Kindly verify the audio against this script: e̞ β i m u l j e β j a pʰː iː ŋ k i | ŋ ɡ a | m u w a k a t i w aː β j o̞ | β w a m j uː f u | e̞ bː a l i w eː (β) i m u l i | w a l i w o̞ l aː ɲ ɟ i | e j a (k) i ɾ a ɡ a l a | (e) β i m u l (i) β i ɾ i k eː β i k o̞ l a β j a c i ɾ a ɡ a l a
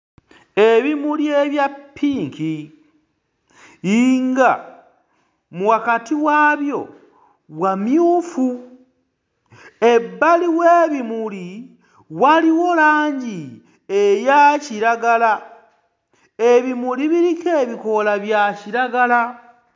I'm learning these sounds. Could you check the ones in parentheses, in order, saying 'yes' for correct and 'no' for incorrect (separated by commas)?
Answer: yes, no, yes, yes